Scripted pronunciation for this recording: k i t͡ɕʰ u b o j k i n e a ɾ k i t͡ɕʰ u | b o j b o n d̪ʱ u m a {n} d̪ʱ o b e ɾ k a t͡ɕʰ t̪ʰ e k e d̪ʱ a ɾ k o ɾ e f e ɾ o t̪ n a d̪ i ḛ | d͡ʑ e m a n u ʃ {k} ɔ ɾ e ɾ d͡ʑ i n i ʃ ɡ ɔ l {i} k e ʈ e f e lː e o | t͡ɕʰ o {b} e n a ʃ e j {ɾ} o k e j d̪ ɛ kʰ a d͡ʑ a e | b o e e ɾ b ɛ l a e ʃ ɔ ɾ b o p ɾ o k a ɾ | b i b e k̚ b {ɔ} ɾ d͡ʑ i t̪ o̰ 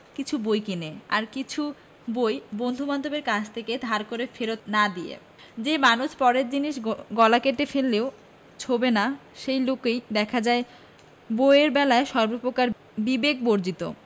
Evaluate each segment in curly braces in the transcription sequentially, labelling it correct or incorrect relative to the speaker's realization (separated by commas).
correct, incorrect, incorrect, correct, incorrect, incorrect